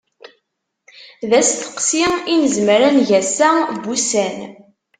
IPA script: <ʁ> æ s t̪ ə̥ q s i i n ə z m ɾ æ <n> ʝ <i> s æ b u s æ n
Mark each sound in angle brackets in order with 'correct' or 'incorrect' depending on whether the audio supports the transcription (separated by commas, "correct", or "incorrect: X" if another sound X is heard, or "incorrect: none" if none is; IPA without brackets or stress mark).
incorrect: ð, correct, incorrect: æ